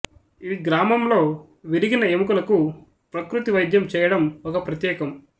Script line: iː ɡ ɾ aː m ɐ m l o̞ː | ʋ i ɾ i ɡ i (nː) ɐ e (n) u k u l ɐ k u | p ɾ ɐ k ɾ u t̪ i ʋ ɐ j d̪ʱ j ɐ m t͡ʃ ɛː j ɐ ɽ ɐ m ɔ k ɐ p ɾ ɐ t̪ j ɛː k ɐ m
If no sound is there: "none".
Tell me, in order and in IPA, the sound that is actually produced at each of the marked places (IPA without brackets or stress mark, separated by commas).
n, m